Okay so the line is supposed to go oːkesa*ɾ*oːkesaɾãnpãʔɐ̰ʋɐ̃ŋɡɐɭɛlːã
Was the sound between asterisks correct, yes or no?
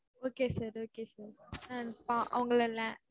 yes